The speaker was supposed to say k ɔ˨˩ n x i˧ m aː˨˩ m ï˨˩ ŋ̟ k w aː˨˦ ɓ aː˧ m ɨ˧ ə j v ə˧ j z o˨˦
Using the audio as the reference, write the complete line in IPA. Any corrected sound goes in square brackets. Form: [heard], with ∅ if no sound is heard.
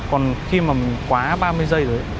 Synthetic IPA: k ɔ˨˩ n x i˧ m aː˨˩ m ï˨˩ ŋ̟ k w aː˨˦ ɓ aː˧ m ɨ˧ ə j [z] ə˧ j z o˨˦